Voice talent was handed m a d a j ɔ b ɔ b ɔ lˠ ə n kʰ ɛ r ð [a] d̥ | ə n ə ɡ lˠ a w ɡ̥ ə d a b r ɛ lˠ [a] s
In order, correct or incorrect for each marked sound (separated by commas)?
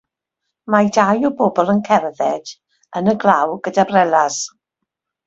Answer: incorrect, correct